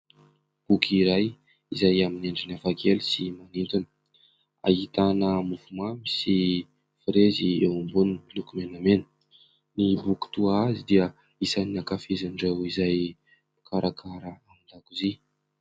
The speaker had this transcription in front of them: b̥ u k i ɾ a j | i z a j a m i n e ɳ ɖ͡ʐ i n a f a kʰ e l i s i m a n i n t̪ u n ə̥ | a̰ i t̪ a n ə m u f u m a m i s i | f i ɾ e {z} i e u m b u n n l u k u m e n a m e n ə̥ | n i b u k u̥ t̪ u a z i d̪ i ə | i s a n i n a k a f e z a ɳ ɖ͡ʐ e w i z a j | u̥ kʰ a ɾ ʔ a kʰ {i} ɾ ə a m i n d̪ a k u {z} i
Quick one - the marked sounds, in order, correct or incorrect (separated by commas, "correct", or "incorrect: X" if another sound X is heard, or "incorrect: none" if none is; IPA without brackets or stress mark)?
correct, incorrect: a, correct